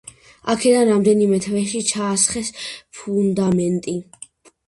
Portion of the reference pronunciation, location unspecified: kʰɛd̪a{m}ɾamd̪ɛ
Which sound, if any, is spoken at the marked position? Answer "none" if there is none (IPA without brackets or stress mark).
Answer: n